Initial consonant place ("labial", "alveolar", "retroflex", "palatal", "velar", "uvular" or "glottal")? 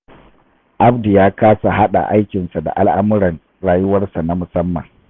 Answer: glottal